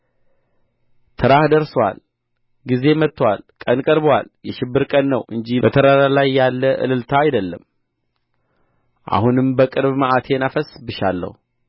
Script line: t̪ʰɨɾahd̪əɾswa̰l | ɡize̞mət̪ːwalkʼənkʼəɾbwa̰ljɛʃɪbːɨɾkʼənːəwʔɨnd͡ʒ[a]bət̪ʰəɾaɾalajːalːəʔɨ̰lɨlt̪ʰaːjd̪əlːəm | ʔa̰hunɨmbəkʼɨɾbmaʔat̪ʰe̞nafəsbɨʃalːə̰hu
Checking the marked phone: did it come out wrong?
yes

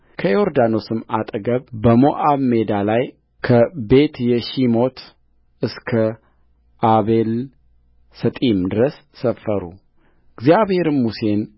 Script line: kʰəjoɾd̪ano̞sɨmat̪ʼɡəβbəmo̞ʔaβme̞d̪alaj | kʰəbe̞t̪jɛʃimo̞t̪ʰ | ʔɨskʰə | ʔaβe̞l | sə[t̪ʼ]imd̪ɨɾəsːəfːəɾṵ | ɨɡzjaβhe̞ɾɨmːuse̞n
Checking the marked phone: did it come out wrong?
no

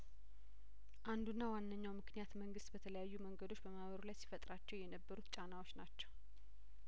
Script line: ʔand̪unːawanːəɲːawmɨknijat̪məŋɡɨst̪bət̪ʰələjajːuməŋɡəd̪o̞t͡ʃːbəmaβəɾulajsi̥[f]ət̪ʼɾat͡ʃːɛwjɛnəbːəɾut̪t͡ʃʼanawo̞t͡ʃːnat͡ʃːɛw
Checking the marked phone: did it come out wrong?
no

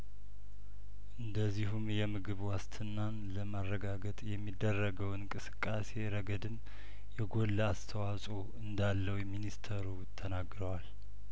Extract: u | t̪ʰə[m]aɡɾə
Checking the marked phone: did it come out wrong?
yes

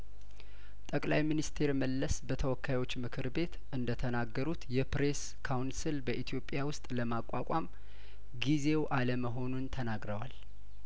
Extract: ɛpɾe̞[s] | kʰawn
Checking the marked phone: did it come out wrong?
no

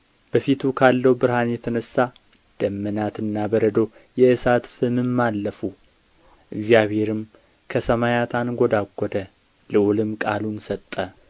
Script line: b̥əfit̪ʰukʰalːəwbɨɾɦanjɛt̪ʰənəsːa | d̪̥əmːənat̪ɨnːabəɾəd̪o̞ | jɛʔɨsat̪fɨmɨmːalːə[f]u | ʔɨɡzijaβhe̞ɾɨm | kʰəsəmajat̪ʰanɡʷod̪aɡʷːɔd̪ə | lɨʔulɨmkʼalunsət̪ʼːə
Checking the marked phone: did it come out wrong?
no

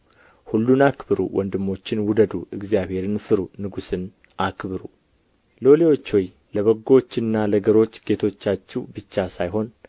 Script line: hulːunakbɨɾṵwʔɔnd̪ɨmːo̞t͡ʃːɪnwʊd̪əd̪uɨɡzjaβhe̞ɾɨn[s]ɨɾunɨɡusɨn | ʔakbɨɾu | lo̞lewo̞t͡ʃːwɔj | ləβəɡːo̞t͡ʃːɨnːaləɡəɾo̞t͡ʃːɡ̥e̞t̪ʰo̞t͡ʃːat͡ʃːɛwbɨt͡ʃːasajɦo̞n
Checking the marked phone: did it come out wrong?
yes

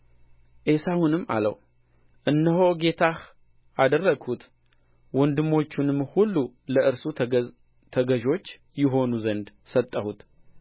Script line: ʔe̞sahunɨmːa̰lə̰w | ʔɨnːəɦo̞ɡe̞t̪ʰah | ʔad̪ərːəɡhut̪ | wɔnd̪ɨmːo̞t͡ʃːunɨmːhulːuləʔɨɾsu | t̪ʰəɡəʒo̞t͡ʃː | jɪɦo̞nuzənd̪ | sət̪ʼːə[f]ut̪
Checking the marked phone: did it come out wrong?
yes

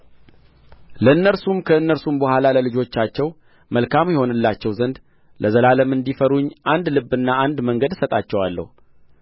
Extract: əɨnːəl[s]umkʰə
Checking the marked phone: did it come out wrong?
no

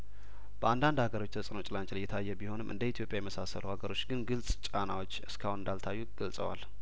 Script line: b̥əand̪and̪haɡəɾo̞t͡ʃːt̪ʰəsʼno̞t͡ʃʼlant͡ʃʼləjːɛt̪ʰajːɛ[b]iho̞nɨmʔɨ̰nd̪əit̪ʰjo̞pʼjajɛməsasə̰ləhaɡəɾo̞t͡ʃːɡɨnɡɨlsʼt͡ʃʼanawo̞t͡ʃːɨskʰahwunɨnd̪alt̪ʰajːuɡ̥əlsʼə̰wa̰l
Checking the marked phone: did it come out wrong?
no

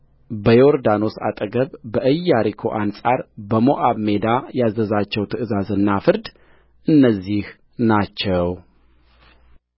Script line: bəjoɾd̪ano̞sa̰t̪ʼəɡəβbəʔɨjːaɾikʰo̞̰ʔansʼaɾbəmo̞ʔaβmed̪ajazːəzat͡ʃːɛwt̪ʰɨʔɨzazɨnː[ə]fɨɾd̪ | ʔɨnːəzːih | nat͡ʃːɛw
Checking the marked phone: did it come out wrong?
yes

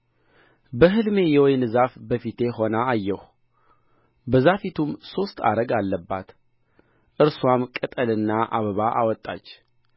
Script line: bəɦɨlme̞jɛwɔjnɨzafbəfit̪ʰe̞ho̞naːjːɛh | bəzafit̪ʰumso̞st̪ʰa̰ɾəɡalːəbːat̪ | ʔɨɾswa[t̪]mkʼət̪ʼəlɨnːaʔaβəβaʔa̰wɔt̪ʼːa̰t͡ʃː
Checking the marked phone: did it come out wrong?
yes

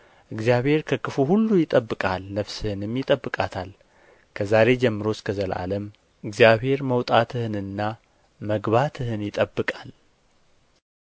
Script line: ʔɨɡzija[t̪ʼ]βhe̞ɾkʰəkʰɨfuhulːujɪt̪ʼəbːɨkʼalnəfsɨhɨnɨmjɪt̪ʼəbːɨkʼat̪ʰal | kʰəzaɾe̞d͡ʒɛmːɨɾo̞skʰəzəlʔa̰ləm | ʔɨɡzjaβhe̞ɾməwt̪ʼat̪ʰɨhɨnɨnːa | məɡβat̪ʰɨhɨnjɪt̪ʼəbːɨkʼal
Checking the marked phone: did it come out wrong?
yes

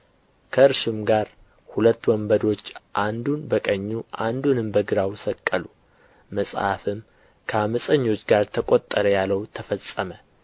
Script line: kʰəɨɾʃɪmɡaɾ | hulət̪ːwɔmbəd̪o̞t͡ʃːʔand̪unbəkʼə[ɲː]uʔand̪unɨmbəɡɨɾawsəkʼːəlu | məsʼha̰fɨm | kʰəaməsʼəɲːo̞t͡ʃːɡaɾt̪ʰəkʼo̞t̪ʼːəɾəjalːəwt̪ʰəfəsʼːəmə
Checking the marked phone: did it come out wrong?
no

